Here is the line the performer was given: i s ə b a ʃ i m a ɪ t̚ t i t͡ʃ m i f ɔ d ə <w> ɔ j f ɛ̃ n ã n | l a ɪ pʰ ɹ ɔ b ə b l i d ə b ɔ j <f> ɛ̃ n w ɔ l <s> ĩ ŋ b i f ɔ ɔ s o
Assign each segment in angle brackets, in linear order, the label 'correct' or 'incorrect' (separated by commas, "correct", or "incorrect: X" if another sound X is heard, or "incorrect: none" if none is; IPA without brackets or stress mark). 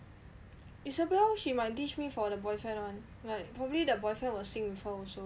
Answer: incorrect: b, correct, correct